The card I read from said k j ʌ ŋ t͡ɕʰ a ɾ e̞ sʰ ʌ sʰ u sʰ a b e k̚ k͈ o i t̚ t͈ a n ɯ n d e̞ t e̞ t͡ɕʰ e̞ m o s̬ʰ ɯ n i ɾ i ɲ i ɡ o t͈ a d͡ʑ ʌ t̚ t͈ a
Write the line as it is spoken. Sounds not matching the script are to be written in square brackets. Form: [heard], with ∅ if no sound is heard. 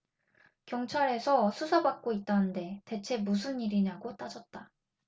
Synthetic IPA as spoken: k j ʌ ŋ t͡ɕʰ a ɾ e̞ sʰ ʌ sʰ u sʰ a b [a] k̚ k͈ o i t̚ t͈ a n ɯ n d e̞ t e̞ t͡ɕʰ e̞ m [u] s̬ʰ ɯ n i ɾ i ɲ [a] ɡ o t͈ a d͡ʑ ʌ t̚ t͈ a